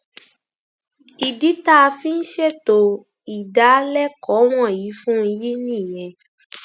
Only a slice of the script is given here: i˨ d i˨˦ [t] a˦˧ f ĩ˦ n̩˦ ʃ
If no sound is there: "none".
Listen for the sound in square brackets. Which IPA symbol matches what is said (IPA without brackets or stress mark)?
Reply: t